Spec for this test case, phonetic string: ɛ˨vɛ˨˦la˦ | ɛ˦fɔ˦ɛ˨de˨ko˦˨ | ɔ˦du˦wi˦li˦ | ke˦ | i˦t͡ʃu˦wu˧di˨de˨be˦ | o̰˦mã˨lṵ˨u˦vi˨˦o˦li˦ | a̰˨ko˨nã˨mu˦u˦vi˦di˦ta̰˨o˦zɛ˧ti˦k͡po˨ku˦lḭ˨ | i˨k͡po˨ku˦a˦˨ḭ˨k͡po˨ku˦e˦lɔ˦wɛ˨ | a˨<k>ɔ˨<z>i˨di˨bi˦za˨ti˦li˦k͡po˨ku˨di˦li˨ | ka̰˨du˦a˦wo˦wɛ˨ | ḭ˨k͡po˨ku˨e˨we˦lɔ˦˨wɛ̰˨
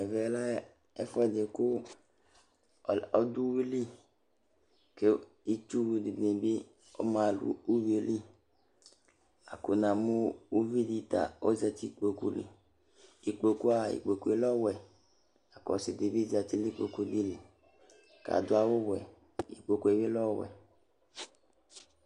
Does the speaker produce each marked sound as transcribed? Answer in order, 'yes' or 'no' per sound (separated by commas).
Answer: yes, no